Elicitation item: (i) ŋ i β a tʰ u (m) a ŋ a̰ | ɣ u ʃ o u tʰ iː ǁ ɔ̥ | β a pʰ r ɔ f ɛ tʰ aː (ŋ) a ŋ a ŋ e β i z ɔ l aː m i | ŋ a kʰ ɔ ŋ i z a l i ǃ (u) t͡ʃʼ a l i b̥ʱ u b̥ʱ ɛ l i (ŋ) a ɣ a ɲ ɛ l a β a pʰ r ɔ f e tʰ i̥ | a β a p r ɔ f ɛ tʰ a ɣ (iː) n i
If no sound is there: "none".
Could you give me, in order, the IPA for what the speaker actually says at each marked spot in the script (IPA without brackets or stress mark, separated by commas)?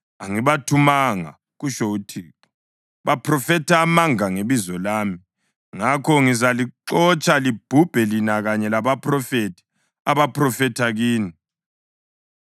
a, m, m, ɔ, n, iː